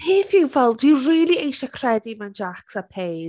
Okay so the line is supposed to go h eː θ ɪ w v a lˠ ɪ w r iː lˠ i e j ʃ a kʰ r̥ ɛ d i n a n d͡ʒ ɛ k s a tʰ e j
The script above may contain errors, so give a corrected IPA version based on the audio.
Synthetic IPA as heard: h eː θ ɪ w v ɛ lˠ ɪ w r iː lˠ i e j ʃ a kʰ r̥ ɛ d i m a n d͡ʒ a k s a pʰ e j